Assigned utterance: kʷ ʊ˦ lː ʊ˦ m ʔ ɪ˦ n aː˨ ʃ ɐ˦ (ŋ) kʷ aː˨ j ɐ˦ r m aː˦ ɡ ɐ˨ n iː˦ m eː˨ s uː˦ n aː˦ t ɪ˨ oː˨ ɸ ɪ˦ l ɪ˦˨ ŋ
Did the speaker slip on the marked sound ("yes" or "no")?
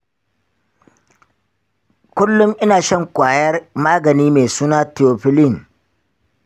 no